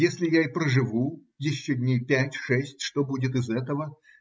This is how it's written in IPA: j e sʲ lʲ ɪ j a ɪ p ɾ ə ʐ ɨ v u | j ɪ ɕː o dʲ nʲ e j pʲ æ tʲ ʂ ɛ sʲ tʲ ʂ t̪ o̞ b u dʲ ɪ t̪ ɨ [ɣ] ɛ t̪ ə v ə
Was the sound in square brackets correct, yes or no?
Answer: no